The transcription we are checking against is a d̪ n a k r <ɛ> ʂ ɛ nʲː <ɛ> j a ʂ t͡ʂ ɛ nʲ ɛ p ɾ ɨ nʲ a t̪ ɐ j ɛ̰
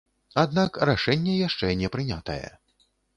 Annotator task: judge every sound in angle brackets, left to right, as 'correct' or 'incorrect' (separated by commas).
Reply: incorrect, correct